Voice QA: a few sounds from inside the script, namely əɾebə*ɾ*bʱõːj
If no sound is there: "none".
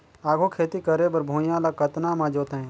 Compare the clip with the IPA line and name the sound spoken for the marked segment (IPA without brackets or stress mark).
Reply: ɾ